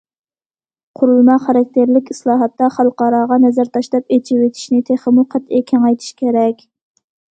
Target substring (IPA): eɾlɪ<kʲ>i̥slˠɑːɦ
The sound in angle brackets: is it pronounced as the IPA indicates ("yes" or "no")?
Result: yes